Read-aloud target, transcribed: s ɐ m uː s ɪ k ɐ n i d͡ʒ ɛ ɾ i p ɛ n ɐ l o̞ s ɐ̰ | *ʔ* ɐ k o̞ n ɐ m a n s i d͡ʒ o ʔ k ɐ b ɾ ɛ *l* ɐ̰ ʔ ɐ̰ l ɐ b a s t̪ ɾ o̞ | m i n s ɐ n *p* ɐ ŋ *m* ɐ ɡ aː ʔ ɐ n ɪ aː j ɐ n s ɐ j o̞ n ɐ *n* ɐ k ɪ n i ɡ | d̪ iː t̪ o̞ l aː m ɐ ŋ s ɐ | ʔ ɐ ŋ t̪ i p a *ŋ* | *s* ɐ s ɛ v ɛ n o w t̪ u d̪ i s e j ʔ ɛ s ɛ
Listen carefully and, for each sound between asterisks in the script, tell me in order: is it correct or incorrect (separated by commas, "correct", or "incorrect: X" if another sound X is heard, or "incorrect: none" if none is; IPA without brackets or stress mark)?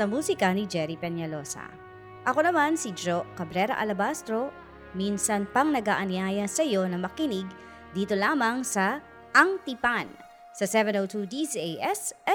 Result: correct, incorrect: ɾ, correct, incorrect: n, incorrect: m, incorrect: n, correct